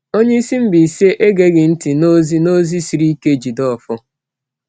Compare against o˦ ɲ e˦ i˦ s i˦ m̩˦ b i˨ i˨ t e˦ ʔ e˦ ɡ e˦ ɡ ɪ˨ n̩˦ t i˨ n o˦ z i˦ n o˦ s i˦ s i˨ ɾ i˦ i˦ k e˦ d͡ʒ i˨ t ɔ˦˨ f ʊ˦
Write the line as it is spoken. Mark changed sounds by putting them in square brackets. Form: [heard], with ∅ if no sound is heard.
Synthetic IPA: o˦ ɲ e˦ i˦ s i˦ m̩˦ b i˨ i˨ [s] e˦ ʔ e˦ ɡ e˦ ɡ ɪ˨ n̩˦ t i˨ n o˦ z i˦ n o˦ [z] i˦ s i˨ ɾ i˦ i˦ k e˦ d͡ʒ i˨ [d] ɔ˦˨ f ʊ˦

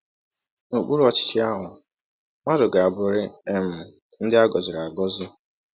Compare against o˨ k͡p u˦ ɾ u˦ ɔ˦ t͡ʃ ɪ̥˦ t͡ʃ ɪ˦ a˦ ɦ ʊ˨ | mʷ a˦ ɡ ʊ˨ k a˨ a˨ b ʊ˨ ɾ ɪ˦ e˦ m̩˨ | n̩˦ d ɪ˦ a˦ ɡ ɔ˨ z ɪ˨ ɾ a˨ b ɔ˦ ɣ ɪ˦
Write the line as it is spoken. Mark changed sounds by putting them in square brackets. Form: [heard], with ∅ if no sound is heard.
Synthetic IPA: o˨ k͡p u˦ ɾ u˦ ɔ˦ t͡ʃ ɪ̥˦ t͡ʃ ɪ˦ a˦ ɦ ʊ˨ | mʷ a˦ [d] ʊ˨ [ɡ] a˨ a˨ b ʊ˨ ɾ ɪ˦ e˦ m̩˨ | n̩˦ d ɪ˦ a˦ ɡ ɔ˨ z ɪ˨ ɾ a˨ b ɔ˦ [z] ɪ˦

